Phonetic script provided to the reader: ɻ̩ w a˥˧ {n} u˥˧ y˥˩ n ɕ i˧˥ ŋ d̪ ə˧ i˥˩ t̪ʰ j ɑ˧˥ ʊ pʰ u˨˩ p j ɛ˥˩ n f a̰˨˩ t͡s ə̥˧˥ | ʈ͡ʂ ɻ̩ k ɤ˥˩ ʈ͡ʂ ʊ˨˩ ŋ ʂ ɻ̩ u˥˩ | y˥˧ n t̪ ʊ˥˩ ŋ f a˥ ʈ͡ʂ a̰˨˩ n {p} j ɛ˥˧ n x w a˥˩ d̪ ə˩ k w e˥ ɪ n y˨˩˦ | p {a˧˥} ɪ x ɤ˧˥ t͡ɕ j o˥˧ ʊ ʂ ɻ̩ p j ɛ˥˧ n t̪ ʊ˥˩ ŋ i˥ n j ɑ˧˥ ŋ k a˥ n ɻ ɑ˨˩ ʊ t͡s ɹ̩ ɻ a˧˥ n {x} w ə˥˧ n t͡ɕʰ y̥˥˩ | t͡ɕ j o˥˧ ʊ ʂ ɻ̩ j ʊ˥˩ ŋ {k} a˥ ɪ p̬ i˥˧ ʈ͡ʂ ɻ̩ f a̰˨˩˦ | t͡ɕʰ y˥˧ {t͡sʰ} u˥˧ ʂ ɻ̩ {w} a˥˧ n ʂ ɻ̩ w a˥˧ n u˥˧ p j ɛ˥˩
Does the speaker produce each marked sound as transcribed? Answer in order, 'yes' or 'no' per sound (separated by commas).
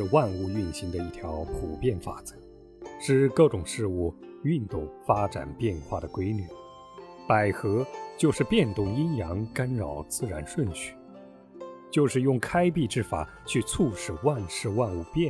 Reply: yes, yes, no, no, no, yes, yes